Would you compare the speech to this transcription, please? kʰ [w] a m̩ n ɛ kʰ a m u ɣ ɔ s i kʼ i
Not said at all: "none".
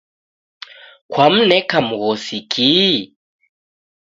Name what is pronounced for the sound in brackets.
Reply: w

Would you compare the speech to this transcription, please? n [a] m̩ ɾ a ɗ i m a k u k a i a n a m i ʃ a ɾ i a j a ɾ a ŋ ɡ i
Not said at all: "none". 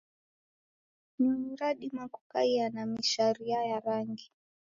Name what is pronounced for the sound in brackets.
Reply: i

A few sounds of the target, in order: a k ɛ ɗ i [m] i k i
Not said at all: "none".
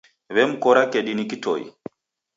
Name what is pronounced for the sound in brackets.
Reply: n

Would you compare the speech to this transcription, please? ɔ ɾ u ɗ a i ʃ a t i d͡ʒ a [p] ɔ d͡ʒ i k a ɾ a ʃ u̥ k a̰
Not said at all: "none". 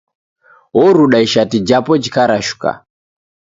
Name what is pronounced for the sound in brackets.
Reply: p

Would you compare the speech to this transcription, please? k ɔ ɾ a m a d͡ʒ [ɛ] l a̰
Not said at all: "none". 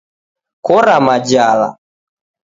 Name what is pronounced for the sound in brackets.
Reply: a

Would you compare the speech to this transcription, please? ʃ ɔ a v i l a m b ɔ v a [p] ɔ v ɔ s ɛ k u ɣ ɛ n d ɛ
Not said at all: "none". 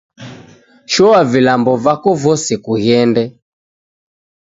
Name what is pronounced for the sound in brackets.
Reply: k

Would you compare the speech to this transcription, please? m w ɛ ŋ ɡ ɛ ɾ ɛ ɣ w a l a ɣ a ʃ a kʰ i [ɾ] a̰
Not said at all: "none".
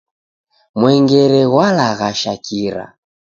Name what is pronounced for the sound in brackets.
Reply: ɾ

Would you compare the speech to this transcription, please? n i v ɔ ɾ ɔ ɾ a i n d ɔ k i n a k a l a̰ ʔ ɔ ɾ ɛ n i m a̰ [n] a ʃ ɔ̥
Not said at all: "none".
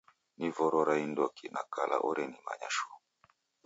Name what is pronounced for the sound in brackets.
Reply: ɲ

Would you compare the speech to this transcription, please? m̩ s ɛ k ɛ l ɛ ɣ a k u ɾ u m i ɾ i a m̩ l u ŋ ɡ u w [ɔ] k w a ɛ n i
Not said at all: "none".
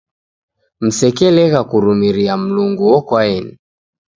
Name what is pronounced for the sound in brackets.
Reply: ɔ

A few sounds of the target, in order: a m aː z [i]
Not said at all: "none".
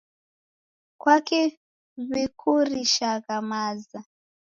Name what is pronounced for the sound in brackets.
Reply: a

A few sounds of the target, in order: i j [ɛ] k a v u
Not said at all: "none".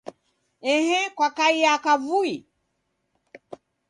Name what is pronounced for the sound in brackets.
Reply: a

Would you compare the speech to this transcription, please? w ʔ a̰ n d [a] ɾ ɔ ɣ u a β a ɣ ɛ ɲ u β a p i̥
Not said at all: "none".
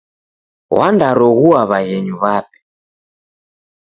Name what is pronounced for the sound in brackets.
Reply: a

